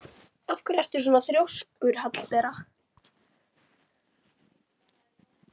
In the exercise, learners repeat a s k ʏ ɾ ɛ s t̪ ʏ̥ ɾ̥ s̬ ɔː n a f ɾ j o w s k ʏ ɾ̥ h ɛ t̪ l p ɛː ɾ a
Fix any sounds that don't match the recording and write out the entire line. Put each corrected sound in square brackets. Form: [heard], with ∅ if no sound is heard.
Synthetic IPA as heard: a [f] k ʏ ɾ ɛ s t̪ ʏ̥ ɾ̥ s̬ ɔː n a [θ] ɾ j o w s k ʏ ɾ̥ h [a] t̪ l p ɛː ɾ a